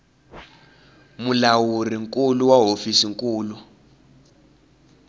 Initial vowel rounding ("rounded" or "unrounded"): rounded